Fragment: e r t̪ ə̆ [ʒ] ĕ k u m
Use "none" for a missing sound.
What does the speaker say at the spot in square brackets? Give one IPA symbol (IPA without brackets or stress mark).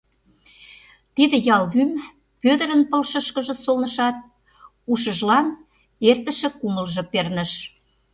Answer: ʃ